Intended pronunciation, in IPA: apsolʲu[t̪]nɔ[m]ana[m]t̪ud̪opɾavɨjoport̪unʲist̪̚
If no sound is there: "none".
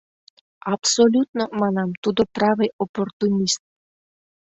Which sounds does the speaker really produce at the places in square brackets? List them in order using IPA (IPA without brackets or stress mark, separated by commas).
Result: t̪, m, m